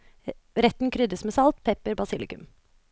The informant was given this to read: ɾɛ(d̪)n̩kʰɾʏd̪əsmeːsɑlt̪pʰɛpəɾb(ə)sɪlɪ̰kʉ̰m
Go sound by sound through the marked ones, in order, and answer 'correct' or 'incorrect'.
incorrect, incorrect

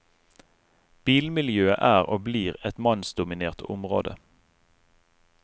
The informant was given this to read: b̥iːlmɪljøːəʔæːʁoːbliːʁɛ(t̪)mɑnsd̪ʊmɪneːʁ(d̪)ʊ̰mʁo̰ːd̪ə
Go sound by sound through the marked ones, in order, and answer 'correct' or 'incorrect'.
correct, incorrect

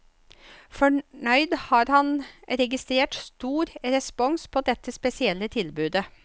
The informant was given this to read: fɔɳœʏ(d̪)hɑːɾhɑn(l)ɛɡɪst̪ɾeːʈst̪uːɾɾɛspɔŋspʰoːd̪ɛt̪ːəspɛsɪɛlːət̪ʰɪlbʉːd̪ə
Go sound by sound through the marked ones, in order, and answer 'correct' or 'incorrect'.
correct, incorrect

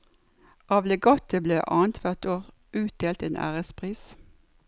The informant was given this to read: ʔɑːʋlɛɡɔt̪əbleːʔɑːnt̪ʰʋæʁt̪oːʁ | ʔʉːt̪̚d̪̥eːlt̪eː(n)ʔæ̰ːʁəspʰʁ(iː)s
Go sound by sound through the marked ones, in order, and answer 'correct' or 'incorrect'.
correct, correct

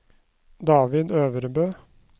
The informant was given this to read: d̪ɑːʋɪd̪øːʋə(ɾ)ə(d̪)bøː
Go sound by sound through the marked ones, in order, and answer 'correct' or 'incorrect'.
correct, incorrect

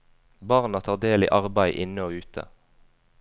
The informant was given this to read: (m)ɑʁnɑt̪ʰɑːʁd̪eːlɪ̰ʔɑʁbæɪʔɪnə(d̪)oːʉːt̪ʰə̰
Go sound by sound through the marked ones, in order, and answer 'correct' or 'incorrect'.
incorrect, incorrect

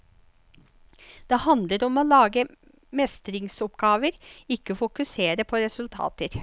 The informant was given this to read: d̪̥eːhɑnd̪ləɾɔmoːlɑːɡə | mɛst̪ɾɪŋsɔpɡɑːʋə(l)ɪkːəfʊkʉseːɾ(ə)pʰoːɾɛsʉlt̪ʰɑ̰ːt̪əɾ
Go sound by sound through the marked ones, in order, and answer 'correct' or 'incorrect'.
incorrect, correct

